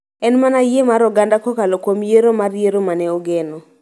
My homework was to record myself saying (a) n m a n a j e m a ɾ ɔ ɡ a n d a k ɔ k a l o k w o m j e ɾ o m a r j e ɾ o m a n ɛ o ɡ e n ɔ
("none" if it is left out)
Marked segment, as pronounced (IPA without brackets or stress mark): ɛ